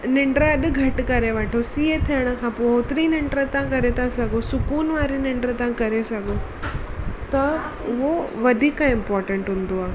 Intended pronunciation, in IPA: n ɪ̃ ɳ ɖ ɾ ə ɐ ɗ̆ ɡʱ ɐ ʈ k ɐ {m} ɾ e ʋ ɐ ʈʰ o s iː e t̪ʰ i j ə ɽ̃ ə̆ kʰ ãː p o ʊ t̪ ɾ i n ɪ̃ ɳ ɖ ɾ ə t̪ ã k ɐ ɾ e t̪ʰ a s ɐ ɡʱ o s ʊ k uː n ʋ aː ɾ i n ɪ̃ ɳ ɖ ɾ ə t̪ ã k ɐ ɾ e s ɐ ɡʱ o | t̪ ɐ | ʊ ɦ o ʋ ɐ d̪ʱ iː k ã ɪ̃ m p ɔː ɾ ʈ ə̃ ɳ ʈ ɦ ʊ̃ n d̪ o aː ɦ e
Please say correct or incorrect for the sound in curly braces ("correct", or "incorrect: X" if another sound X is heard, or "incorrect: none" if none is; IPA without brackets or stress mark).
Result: incorrect: none